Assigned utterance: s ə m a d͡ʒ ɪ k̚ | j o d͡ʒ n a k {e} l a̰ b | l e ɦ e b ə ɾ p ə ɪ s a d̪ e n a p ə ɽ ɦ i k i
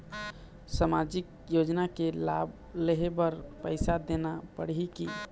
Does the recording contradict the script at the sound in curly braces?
no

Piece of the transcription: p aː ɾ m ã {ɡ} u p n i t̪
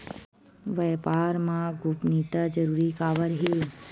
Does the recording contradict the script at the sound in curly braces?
no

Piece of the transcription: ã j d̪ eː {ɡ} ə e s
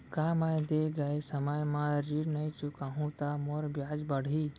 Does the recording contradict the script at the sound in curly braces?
no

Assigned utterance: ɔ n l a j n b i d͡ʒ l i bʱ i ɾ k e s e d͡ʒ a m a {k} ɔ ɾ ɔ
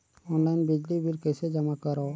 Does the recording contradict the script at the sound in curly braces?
no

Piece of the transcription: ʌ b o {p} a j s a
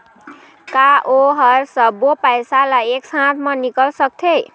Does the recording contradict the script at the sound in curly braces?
no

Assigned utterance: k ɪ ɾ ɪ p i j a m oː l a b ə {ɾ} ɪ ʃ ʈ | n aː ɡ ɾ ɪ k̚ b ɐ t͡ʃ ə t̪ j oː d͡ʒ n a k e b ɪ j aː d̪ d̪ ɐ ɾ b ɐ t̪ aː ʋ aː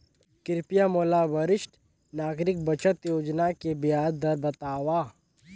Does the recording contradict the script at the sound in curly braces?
no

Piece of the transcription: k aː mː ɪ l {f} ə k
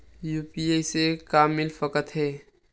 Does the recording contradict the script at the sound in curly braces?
no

